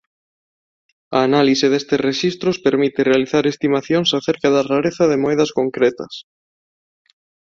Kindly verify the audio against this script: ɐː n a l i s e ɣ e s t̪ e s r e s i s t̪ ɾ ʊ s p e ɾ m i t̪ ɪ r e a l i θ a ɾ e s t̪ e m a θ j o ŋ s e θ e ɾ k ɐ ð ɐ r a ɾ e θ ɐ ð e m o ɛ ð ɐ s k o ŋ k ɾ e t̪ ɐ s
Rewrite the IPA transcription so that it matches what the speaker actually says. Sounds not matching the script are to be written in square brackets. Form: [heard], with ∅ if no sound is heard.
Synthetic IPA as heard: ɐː n a l i s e [ð] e s t̪ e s r e [ʃ] i s t̪ ɾ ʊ s p e ɾ m i t̪ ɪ r e a l i θ a ɾ e s t̪ [i] m a θ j o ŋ s [a] θ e ɾ k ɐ ð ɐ r a ɾ e θ ɐ ð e m o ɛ ð ɐ s k o ŋ k ɾ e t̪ ɐ s